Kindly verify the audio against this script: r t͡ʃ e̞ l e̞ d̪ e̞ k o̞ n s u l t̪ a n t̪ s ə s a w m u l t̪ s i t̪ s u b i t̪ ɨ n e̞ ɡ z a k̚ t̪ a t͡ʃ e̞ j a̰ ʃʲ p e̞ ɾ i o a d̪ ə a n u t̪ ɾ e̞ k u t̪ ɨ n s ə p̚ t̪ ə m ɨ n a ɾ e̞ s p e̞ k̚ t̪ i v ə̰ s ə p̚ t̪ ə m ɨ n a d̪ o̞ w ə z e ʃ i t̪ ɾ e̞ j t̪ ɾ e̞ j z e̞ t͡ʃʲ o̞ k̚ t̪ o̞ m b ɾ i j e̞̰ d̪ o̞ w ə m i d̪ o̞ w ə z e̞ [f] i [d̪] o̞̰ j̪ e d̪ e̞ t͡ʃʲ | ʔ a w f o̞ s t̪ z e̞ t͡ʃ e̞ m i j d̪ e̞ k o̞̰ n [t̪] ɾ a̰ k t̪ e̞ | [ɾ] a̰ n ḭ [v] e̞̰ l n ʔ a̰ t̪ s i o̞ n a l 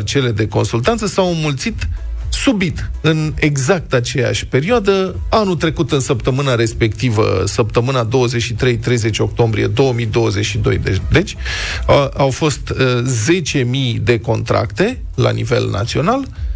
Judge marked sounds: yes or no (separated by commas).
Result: no, yes, yes, no, yes